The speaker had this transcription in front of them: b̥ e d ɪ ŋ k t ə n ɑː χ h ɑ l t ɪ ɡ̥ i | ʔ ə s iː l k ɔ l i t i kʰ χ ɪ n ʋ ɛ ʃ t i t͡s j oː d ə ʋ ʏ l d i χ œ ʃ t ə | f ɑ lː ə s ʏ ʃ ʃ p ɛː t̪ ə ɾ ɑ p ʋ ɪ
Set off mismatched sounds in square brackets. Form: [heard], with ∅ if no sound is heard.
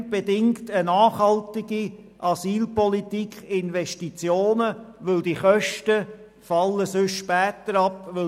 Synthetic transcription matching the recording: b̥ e d ɪ ŋ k t ə n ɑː χ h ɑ l t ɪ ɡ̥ i | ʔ [ɑ] s iː l [p] ɔ l i t i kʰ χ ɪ n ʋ ɛ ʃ t i t͡s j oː [n] ə ʋ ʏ l d i χ œ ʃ t ə | f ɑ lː ə s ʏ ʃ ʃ p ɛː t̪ ə ɾ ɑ p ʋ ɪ